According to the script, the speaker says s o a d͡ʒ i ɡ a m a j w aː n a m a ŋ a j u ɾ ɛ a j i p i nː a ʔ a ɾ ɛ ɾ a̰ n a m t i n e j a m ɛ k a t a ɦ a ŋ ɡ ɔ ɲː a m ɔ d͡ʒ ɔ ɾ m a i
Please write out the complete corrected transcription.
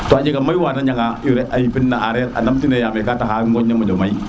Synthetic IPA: t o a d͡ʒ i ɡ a m a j w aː n a ɲ a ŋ a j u ɾ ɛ a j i p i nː a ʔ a ɾ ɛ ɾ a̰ n a m t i n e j a m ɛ k a t a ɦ a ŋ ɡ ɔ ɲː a m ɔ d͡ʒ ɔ m a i